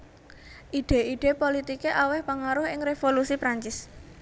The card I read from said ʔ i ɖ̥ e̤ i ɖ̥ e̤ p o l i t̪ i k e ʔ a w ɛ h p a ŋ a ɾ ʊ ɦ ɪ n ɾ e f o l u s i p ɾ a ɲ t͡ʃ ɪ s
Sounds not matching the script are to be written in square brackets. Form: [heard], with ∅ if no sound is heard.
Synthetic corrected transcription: ʔ i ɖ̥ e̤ i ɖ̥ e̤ p o l i t̪ i k e ʔ a w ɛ h p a ŋ a ɾ ʊ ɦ ɪ [ŋ] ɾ e f o l u s i p ɾ a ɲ t͡ʃ ɪ s